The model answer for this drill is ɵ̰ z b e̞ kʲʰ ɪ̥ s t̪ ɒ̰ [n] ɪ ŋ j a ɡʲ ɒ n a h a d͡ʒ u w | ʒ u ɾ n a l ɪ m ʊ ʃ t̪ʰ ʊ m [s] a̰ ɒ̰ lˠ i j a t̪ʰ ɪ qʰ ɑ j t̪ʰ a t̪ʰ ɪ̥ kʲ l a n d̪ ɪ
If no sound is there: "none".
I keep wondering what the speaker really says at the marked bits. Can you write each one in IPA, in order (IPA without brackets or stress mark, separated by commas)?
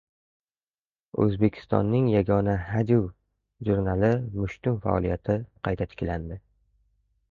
nː, f